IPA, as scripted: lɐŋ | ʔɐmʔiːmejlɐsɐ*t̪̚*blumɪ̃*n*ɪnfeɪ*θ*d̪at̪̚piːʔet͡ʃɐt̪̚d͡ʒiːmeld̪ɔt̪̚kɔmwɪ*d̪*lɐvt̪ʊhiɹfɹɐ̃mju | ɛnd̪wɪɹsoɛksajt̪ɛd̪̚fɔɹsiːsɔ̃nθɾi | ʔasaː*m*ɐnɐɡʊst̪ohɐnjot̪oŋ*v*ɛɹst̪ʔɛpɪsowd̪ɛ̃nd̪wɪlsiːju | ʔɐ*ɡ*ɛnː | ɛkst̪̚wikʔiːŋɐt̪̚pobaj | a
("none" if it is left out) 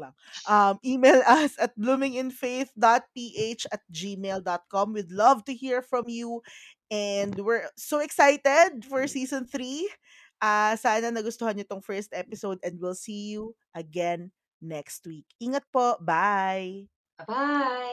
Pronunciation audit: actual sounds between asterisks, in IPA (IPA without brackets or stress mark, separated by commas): t̪̚, ŋ, θ, d̪, n, f, ɡ